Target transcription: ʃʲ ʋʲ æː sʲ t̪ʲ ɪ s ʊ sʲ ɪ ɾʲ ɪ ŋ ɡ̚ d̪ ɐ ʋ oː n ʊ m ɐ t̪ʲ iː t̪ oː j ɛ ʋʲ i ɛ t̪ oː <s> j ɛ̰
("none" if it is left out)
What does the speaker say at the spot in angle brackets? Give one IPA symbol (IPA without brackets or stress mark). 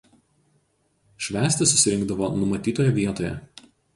none